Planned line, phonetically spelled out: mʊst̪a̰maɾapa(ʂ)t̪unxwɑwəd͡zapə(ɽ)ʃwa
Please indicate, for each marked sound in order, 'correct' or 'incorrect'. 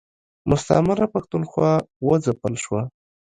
incorrect: x, incorrect: l

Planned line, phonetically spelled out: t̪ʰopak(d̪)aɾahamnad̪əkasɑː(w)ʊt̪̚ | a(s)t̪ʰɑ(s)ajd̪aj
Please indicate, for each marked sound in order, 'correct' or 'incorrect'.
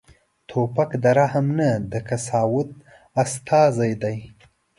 correct, correct, correct, incorrect: z

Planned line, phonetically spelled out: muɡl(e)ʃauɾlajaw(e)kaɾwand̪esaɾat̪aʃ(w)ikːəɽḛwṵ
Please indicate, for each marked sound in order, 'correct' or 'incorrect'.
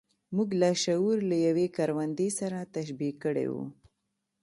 incorrect: a, correct, incorrect: b

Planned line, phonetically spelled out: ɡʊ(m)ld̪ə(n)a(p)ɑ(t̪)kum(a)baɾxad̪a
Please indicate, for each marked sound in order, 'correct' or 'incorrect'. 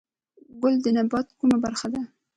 incorrect: none, correct, incorrect: b, correct, correct

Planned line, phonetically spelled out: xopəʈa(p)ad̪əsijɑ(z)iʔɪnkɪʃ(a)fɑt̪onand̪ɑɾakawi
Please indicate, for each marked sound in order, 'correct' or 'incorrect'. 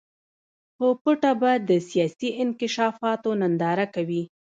incorrect: b, incorrect: s, incorrect: ɑ

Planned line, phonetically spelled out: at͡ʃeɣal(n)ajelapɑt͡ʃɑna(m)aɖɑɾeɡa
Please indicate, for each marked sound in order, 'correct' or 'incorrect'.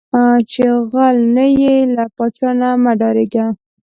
correct, correct

